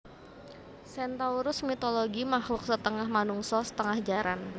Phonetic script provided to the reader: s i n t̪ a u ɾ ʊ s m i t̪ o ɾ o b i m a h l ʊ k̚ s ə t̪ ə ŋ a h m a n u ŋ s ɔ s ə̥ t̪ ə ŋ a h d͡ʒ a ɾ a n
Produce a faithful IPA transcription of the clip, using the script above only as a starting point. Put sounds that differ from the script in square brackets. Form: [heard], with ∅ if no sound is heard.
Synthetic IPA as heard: s [ɛ] n t̪ a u ɾ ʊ s m i t̪ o [l] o [ɡ] i m a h l ʊ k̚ s ə t̪ ə ŋ a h m a n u ŋ s ɔ s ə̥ t̪ ə ŋ a h d͡ʒ a ɾ a n